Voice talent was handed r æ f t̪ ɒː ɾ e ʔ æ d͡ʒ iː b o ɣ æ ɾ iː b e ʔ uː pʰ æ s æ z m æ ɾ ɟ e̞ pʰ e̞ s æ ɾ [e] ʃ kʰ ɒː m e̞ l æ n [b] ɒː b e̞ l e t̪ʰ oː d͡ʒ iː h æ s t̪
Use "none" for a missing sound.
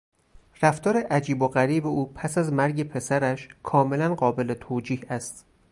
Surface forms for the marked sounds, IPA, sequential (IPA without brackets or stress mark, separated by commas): æ, ɢ